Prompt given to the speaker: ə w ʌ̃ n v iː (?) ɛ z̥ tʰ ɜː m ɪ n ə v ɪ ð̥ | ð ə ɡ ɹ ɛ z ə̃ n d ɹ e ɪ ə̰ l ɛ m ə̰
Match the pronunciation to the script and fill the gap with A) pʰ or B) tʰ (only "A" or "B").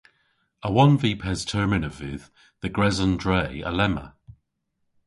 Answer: A